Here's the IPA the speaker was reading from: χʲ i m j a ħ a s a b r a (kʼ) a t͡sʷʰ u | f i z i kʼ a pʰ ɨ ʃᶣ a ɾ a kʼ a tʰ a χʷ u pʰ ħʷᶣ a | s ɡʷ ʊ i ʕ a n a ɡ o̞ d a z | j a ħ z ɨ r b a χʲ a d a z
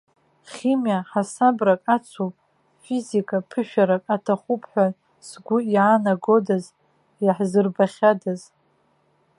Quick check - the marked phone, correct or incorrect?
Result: correct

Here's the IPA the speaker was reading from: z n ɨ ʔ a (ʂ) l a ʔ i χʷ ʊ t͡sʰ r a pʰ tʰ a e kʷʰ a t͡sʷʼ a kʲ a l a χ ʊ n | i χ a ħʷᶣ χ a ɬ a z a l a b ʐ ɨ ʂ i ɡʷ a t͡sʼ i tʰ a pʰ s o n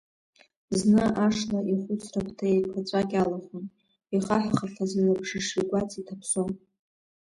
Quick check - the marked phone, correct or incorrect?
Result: correct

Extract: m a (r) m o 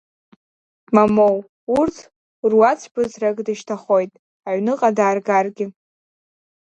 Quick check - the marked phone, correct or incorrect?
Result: incorrect: none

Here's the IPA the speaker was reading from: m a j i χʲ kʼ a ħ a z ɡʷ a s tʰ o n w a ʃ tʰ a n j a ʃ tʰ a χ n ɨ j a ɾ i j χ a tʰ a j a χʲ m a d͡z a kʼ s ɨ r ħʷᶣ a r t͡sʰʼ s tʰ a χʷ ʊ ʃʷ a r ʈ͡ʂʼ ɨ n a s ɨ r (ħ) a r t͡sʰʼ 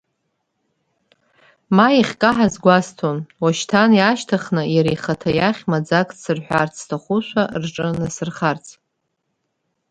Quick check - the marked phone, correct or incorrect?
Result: incorrect: χ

